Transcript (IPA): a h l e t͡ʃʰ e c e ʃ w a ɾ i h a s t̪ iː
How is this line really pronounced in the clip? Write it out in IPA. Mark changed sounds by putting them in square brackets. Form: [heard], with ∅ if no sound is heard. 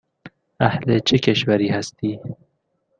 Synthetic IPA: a h l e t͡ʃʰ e [k] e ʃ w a ɾ i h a s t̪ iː